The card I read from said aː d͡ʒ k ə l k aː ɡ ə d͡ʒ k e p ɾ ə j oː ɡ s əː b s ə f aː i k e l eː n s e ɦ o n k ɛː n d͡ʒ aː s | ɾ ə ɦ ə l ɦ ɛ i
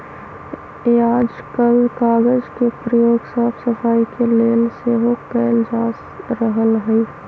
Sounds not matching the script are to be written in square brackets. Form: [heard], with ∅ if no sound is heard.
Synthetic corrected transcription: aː d͡ʒ k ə l k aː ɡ ə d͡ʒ k e p ɾ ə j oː ɡ s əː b s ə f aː i k e l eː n s e ɦ o [∅] k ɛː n d͡ʒ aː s | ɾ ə ɦ ə l ɦ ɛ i